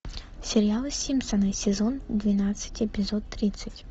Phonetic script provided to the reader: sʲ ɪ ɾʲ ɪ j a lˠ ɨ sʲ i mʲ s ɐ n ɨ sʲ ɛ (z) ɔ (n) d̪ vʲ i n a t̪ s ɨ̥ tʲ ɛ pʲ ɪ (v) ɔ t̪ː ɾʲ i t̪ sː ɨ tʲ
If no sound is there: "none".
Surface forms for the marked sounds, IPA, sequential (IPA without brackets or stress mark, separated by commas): z, n, z